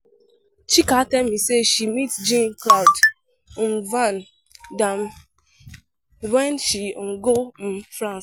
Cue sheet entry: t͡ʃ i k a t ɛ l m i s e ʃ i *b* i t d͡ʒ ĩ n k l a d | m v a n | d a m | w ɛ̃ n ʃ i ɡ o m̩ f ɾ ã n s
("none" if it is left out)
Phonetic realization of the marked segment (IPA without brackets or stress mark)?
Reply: m